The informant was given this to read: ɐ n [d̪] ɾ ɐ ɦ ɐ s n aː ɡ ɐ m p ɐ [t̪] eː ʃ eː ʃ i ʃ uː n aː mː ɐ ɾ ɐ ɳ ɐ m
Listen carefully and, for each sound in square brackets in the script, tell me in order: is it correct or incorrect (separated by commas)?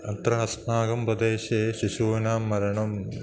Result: incorrect, incorrect